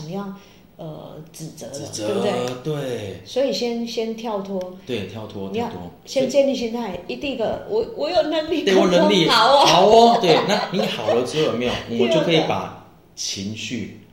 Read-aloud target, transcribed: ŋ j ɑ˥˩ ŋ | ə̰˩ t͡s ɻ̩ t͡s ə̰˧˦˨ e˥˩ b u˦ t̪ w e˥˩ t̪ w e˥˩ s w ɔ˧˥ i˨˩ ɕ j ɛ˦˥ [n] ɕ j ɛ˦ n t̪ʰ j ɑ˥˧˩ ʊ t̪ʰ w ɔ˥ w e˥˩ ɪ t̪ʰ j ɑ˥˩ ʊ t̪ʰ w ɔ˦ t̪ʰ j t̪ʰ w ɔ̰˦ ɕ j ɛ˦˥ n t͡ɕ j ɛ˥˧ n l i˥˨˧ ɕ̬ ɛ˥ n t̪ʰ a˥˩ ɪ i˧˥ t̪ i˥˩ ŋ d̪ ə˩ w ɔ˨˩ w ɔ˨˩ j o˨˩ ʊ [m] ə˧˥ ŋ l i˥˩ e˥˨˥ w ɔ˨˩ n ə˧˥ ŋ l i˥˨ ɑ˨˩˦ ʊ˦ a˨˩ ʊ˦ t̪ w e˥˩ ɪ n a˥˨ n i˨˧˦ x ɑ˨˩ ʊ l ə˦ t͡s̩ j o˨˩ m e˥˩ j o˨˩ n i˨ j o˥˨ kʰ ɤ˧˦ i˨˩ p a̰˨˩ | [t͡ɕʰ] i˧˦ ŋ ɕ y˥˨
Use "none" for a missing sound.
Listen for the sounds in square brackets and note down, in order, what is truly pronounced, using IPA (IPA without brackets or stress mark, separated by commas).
n, n, t͡ɕʰ